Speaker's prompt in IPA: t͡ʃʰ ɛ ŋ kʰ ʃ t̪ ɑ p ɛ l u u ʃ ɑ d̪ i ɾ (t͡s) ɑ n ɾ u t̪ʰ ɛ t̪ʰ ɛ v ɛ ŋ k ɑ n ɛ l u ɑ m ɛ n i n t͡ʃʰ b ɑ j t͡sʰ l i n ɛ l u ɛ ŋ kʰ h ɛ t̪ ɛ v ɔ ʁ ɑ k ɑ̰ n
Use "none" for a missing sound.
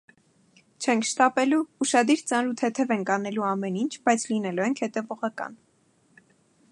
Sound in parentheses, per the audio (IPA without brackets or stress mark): t͡s